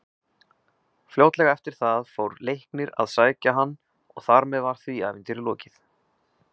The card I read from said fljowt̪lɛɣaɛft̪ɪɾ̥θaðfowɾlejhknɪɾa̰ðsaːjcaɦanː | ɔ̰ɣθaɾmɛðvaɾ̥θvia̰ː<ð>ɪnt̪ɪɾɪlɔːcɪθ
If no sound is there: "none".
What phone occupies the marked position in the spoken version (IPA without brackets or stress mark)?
v